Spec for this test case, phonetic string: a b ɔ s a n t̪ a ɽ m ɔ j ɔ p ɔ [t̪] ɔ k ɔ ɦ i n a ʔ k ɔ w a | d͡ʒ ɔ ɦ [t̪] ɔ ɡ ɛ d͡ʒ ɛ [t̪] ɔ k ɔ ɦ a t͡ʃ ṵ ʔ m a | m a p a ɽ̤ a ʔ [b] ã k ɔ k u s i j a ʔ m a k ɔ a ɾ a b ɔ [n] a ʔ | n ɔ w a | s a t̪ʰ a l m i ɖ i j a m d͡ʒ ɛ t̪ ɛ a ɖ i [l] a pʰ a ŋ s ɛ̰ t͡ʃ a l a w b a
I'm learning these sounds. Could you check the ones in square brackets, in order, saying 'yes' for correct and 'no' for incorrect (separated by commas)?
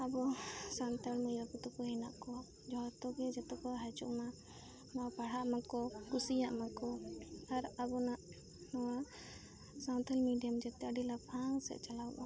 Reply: yes, yes, yes, no, yes, yes